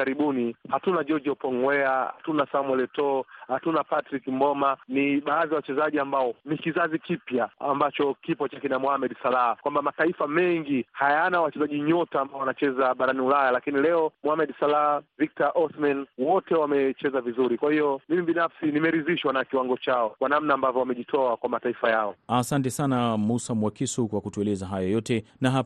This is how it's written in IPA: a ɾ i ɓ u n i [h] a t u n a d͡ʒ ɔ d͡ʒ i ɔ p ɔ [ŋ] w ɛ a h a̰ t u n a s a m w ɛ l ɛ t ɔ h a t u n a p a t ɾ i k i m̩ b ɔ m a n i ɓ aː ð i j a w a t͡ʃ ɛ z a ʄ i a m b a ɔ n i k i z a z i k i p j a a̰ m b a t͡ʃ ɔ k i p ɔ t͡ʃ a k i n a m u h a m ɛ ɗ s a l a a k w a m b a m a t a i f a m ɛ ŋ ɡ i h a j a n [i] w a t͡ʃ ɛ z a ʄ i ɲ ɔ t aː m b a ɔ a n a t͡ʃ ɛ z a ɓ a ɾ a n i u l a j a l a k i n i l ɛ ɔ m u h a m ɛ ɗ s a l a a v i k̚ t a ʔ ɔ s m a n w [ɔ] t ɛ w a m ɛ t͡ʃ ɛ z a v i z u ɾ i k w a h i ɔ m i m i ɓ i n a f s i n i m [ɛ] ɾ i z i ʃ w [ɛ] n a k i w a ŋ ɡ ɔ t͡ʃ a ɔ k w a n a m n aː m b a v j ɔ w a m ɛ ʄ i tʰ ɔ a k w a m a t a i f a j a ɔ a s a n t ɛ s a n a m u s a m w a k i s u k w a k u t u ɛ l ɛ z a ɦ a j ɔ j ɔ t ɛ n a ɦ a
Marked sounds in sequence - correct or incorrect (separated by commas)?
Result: correct, correct, incorrect, correct, correct, incorrect